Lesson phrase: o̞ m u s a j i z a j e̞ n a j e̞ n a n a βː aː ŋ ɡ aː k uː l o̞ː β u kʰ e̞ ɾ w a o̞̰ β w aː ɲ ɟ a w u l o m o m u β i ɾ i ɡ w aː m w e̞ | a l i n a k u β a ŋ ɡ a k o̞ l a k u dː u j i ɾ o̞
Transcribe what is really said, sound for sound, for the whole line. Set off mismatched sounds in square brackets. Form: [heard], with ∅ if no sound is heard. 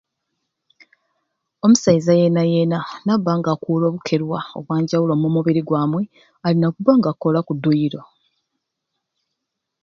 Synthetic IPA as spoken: o̞ m u s a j i z a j e̞ n a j e̞ n a n a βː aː ŋ ɡ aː k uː l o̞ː β u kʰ e̞ ɾ w a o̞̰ β w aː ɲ ɟ a w u l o m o m u β i ɾ i ɡ w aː m w e̞ | a l i n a k u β a ŋ ɡ a k o̞ l a k u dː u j i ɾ o̞